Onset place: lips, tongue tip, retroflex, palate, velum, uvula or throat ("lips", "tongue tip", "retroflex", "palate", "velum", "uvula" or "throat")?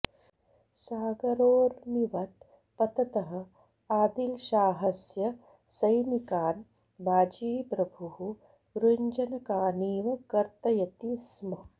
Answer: tongue tip